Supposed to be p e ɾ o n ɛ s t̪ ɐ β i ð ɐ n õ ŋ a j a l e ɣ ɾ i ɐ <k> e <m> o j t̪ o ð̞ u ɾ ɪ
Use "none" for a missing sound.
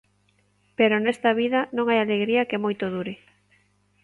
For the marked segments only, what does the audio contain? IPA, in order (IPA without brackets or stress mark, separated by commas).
k, m